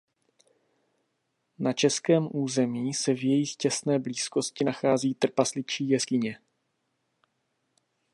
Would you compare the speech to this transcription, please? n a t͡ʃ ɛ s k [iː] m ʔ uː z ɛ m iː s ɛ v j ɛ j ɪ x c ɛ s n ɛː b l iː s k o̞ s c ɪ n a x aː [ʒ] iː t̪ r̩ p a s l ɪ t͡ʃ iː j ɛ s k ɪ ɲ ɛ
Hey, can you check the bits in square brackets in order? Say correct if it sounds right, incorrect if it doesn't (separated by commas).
incorrect, incorrect